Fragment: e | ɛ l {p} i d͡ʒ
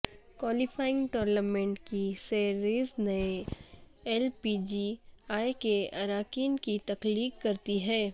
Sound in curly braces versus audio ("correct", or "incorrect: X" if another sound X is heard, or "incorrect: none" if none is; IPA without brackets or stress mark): correct